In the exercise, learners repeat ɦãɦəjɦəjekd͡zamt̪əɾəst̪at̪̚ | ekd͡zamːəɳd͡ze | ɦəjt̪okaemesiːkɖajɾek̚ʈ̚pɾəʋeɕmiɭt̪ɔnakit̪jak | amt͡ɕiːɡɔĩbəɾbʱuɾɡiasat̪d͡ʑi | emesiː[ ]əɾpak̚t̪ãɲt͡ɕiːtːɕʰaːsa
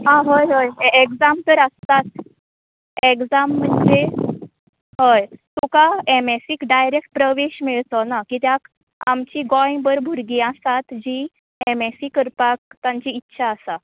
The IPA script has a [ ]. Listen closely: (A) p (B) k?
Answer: B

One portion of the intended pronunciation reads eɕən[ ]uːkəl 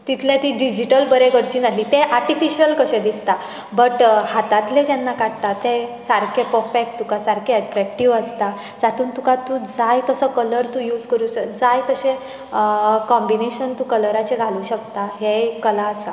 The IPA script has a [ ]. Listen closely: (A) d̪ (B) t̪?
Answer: B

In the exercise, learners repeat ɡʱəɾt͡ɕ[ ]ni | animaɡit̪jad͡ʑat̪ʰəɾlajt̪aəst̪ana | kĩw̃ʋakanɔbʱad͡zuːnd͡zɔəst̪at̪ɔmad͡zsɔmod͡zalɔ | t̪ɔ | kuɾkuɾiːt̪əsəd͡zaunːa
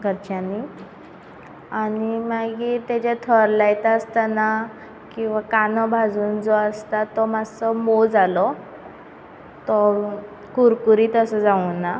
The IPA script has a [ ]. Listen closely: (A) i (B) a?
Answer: B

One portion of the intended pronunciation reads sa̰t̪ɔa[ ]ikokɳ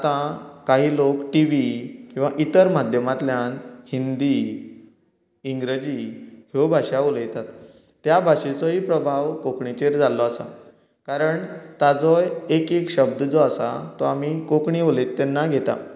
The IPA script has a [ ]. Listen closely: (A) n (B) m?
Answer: B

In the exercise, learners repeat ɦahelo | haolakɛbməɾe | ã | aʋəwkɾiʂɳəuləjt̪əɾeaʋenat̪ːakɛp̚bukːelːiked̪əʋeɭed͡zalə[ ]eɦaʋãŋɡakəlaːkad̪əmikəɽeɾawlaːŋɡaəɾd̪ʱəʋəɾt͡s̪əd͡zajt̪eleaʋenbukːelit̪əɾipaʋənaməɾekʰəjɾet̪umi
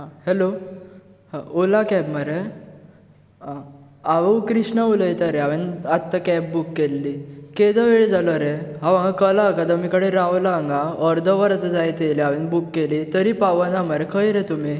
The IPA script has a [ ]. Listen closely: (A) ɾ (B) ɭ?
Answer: A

